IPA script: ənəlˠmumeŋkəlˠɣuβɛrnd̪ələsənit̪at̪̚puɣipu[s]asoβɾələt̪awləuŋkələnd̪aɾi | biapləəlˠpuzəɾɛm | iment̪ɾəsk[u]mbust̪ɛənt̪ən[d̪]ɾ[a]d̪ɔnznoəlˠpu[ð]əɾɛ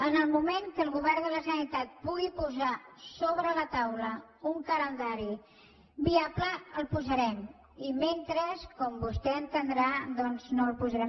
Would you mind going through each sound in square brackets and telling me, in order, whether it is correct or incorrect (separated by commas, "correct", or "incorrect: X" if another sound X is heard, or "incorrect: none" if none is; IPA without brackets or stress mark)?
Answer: incorrect: z, incorrect: ɔ, correct, correct, incorrect: z